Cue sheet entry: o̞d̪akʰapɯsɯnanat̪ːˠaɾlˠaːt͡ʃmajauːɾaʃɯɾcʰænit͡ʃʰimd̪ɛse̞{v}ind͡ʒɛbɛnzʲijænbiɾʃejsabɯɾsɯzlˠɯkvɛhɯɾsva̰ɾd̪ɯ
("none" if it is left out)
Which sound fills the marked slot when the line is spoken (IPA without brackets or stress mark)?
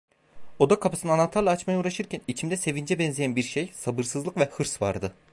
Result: v